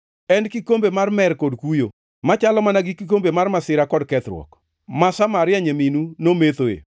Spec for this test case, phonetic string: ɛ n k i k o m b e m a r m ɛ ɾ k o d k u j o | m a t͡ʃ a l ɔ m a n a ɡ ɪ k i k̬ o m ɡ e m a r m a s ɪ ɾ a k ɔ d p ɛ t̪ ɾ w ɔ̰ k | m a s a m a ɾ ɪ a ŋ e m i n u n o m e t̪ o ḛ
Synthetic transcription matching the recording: ɛ n k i k o m b e m a r m ɛ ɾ k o d k u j o | m a t͡ʃ a l ɔ m a n a ɡ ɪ k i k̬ o m b e m a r m a s ɪ ɾ a k ɔ d k ɛ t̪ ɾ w ɔ̰ k | m a s a m a ɾ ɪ a ɲ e m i n u n o m e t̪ o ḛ